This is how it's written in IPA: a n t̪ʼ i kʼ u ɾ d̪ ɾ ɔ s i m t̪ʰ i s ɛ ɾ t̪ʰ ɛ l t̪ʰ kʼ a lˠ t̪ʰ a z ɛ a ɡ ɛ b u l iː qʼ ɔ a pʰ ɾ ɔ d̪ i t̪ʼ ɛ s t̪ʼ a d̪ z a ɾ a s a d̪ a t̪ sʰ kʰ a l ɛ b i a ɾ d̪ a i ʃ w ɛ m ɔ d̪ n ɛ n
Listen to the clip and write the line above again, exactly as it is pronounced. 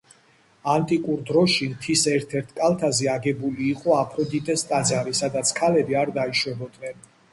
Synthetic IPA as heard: a n t̪ʼ i kʼ u ɾ d̪ ɾ ɔ ʃ i m t̪ʰ i s ɛ ɾ t̪ʰ ɛ ɾ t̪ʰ kʼ a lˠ t̪ʰ a z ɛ a ɡ ɛ b u l iː qʼ ɔ a pʰ ɾ ɔ d̪ i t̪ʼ ɛ s t̪ʼ a d̪ z a ɾ i s a d̪ a t̪ sʰ kʰ a l ɛ b i a ɾ d̪ a i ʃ w ɛ b ɔ d̪ n ɛ n